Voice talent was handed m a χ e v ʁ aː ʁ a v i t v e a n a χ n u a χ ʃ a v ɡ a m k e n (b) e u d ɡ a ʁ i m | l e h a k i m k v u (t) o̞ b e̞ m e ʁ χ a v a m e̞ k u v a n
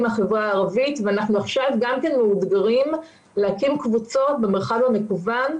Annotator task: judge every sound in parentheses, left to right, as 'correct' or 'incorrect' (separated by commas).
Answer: incorrect, incorrect